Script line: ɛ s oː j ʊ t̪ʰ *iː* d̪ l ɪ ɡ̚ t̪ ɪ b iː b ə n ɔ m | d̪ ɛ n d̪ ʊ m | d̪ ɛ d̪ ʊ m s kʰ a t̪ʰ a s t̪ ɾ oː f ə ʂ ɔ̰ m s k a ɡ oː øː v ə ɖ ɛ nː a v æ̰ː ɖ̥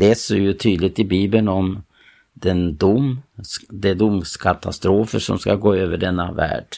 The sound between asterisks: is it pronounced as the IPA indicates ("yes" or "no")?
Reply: no